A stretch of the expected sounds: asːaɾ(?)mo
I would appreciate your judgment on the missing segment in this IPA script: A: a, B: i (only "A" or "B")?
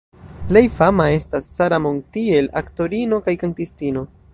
A